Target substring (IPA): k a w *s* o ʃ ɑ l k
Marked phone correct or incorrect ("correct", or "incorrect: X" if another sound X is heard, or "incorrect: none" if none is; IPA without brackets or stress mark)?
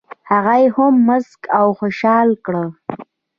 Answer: incorrect: x